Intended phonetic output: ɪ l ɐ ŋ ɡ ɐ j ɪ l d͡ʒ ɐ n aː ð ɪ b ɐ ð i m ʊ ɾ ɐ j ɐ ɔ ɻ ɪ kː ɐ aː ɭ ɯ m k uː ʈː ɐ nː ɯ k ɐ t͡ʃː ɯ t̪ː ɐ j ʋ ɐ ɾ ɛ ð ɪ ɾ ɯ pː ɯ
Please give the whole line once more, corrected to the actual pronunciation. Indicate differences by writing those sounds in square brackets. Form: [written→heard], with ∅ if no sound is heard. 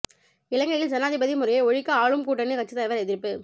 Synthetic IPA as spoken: ɪ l ɐ ŋ ɡ ɐ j ɪ l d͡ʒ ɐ n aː ð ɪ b ɐ ð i m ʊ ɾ ɐ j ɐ ɔ ɻ ɪ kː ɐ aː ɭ ɯ m k uː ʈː ɐ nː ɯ k ɐ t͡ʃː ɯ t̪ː ɐ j ʋ ɐ ɾ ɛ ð ɪ ɾ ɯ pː ɯ